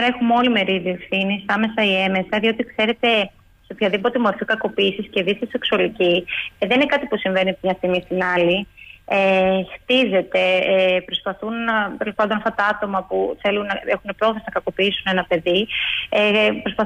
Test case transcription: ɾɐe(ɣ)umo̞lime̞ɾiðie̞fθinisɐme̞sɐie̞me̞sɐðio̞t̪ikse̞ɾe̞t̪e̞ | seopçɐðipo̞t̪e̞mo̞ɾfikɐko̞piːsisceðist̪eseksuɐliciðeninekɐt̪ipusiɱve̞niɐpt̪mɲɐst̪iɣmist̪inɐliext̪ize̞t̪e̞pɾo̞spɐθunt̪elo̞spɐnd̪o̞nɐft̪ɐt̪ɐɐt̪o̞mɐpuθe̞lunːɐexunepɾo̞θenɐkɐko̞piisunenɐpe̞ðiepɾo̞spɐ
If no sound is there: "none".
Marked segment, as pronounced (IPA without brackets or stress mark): x